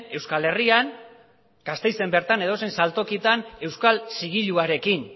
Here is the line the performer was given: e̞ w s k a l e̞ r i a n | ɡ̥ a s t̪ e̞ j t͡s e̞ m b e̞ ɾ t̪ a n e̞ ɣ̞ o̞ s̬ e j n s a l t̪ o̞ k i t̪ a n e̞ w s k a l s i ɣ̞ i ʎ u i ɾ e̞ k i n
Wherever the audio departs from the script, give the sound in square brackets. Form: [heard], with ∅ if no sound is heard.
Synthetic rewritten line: e̞ w s k a l e̞ r i a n | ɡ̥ a s t̪ e̞ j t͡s e̞ m b e̞ ɾ t̪ a n e̞ [ð̞] o̞ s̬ e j n s a l t̪ o̞ k i t̪ a n e̞ w s k a l s i ɣ̞ i ʎ u [a] ɾ e̞ k i n